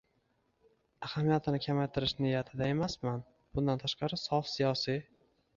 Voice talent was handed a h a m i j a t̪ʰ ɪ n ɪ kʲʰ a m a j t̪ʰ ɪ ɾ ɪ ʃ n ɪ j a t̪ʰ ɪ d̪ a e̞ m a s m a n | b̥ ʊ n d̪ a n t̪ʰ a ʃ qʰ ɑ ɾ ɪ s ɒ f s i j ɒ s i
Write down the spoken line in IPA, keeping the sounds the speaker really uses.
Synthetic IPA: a h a m i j a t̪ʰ ɪ n ɪ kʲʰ a m a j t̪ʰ ɪ ɾ ɪ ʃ n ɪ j a t̪ʰ ɪ d̪ a e̞ m a s m a n | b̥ ʊ n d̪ a n t̪ʰ a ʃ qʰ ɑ ɾ ɪ s ɒ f s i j ɒ s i